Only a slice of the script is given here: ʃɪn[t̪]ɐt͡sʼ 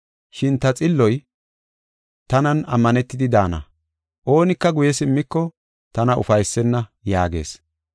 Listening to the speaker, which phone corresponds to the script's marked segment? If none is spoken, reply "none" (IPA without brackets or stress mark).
t̪